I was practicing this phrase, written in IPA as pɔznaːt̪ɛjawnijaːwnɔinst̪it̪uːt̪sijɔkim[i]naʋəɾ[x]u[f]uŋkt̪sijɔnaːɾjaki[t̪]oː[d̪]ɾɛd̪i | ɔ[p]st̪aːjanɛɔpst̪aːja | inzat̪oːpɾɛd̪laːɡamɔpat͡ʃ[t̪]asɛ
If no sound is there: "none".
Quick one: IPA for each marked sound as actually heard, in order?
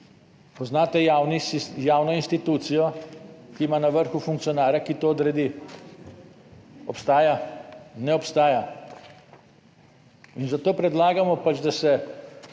a, x, f, t̪, d̪, p, d̪

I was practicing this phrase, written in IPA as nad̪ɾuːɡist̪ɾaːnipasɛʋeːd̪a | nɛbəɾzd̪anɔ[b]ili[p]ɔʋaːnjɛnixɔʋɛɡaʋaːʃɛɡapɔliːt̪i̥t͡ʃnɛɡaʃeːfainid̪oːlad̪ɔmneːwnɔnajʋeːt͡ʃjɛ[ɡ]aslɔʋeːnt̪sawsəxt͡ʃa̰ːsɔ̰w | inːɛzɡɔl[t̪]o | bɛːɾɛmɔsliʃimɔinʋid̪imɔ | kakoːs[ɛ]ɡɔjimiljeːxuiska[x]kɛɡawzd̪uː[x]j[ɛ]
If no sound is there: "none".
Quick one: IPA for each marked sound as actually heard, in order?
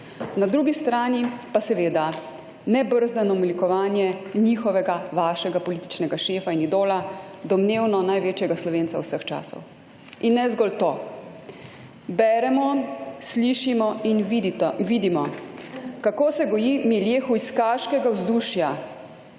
m, k, ɡ, t̪, ɛ, ʃ, ʃ, a

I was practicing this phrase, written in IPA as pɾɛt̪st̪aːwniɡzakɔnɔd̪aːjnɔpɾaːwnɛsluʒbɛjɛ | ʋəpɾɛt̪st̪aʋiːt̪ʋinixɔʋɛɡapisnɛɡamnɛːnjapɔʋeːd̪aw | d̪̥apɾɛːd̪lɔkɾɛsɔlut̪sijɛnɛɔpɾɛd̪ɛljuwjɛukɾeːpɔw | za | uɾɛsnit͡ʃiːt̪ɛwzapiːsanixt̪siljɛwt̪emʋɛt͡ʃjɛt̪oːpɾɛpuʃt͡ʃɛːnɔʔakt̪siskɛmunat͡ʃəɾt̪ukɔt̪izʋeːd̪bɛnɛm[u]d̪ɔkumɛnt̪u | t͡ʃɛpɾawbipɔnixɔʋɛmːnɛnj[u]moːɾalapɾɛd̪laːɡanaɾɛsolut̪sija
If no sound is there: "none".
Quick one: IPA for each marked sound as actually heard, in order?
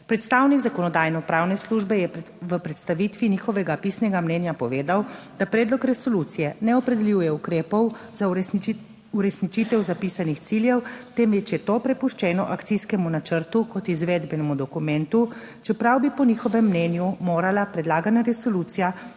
u, u

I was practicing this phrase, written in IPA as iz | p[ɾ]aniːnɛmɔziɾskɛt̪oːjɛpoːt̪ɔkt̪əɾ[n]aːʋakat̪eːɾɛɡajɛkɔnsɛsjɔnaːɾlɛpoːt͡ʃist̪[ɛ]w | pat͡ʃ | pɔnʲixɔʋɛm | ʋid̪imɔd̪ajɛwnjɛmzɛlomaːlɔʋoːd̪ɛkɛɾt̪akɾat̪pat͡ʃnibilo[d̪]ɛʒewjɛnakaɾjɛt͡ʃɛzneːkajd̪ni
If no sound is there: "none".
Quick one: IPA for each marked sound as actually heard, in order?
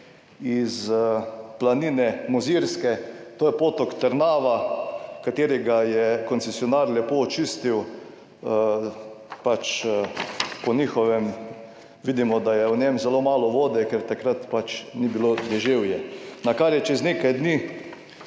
l, n, i, d̪

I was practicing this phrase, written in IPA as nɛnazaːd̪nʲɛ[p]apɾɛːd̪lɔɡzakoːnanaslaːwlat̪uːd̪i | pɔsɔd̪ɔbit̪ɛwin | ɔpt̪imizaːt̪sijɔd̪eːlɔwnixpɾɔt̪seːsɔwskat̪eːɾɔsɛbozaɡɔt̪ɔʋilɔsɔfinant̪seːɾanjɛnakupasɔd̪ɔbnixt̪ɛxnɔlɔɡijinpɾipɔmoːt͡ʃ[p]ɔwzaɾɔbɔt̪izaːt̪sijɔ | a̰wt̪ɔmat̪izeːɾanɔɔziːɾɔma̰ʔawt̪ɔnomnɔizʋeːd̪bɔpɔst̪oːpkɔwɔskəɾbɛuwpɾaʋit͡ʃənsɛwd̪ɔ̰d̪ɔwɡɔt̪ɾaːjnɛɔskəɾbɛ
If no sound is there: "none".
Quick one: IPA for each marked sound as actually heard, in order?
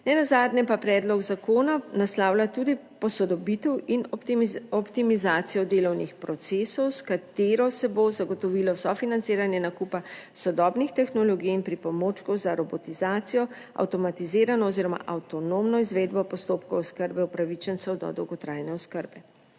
p, k

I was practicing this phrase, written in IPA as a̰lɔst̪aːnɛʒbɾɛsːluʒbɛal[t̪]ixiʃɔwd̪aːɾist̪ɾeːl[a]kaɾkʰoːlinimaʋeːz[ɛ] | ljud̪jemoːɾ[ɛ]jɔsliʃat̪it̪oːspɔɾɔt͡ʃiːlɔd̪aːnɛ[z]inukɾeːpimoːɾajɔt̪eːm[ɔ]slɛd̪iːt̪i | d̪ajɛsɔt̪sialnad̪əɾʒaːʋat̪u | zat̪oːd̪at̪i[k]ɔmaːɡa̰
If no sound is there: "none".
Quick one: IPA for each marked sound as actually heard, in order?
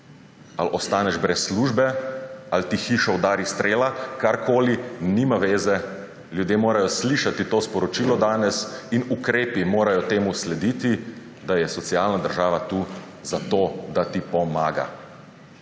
t̪, a, ɛ, a, s, u, p

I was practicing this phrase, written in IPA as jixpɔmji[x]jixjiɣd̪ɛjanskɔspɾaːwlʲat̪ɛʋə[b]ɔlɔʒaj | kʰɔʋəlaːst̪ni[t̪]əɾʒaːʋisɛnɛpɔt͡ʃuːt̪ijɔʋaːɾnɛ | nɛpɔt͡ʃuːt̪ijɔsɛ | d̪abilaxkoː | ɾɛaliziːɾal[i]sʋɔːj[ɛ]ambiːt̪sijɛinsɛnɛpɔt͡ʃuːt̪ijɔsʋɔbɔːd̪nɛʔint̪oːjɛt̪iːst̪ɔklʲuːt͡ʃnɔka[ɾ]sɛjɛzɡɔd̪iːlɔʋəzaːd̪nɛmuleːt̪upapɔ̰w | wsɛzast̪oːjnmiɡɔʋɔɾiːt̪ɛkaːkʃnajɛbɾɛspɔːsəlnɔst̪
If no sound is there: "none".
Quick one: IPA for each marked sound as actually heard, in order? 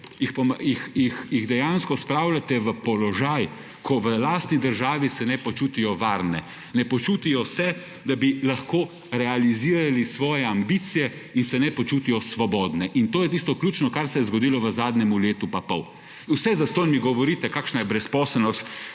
x, p, d̪, i, ɛ, ɾ

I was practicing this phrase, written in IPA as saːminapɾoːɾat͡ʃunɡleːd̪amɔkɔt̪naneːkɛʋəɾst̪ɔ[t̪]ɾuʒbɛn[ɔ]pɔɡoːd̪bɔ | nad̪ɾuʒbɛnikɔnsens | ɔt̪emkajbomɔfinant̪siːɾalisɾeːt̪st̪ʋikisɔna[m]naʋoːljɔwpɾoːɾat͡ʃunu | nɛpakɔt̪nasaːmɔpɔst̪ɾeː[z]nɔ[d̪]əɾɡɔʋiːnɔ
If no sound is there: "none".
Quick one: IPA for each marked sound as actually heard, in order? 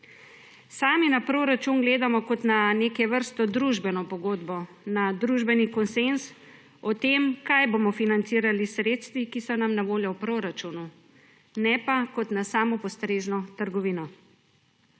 d̪, ɔ, m, ʒ, t̪

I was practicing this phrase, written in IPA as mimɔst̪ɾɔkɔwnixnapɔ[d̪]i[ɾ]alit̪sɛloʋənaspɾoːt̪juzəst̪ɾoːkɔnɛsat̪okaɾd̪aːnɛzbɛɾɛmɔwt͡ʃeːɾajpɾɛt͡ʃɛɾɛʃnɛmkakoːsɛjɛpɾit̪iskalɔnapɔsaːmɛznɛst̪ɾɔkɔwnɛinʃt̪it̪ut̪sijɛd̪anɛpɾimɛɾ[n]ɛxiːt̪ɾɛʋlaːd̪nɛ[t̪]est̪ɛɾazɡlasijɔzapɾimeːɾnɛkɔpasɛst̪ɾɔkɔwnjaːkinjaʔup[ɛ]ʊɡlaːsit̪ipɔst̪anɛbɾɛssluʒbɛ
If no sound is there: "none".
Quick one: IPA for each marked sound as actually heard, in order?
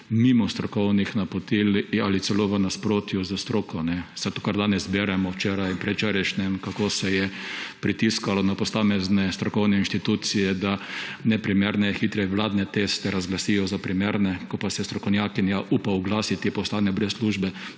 t̪, l, n, t̪, a

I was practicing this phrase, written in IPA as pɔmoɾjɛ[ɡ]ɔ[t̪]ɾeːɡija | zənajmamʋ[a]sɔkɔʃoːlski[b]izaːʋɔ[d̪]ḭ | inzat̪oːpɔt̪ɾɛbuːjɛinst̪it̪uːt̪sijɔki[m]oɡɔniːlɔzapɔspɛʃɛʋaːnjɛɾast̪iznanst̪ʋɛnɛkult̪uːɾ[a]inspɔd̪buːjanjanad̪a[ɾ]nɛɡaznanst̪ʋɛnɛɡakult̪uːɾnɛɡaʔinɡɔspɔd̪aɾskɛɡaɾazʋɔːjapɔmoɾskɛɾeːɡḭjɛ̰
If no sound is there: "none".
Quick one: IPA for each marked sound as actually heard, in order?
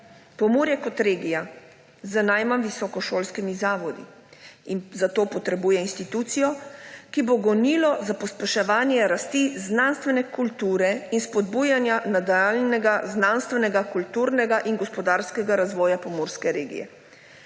k, t̪, i, m, d̪, b, ɛ, l

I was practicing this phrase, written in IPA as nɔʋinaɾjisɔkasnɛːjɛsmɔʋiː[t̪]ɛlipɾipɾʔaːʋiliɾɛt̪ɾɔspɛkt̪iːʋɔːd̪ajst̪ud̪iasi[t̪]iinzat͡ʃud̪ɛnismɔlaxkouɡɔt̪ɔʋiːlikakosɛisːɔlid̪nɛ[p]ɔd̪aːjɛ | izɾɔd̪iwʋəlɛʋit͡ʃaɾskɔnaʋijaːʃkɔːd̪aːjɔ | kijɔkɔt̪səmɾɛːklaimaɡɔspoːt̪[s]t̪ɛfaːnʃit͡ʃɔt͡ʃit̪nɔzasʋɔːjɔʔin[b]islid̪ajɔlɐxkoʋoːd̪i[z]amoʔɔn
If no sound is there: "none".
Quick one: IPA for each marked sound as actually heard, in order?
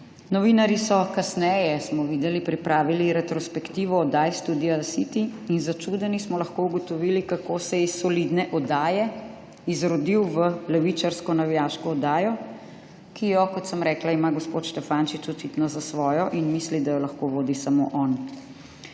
d̪, t̪, ʔ, ʃ, m, s

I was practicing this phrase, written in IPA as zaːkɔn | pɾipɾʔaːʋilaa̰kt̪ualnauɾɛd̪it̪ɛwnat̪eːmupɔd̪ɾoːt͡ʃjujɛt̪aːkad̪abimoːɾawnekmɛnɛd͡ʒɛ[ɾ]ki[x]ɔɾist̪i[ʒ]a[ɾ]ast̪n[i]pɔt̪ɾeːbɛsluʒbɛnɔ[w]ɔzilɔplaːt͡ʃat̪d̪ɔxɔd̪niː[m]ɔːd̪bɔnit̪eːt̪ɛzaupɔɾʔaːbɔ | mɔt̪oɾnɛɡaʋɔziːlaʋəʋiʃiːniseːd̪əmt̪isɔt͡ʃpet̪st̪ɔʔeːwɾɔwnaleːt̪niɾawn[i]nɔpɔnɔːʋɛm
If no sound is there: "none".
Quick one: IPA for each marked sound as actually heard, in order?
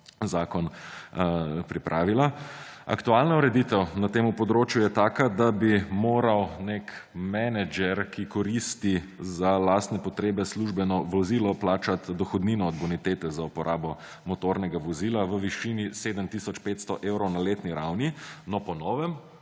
ɾ, k, z, l, ɛ, ʋ, n, i

